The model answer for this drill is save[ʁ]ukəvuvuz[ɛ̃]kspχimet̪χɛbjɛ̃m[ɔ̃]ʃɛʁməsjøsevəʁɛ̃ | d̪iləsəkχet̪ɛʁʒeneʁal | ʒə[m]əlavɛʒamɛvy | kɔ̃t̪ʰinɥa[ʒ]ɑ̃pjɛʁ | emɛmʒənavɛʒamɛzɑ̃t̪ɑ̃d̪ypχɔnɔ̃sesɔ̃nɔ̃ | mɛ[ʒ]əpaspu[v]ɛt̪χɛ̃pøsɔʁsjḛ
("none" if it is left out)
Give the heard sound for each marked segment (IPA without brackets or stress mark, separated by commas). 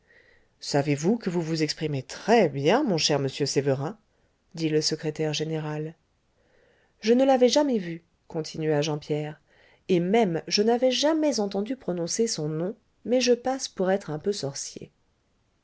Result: v, ɛ, ɔ̃, n, ʒ, ʒ, ʁ